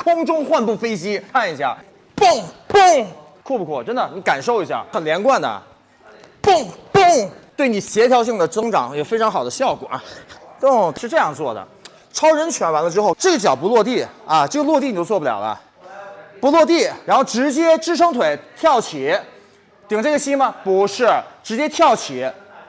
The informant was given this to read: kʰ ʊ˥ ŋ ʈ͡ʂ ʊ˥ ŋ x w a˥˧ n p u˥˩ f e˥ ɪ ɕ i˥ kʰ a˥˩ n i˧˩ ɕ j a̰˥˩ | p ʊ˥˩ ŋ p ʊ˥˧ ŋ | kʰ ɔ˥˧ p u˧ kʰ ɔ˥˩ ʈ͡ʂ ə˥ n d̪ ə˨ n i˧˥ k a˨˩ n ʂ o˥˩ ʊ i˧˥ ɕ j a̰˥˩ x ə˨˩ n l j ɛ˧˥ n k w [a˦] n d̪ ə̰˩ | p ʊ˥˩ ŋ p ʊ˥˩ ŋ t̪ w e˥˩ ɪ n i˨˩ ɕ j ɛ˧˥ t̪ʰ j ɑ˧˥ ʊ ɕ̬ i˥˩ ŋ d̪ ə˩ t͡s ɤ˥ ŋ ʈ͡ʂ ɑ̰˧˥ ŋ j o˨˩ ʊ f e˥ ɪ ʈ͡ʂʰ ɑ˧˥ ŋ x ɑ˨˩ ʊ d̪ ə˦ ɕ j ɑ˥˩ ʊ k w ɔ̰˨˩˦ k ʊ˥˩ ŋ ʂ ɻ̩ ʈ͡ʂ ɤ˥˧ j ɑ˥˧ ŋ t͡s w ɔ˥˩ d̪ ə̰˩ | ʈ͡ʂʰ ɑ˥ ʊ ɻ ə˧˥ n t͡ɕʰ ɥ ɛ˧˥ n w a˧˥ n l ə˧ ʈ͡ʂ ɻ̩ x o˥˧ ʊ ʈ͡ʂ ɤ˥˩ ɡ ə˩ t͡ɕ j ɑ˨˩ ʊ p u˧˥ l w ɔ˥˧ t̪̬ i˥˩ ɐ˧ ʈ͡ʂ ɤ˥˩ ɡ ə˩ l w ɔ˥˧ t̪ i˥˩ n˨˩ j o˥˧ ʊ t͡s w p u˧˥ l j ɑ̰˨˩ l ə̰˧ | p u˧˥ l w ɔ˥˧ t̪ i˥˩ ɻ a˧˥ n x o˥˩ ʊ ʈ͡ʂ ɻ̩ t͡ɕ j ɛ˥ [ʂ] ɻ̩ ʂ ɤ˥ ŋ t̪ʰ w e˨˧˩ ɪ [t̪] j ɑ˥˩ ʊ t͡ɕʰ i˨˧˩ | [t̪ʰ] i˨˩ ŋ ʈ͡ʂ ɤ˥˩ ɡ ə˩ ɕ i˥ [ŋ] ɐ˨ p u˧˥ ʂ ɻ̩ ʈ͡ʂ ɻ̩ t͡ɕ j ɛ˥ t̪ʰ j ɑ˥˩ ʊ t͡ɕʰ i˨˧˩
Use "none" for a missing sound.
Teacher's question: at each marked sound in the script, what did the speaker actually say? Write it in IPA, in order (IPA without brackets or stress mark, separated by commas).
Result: a˥˩, ʈ͡ʂ, t̪ʰ, t̪, m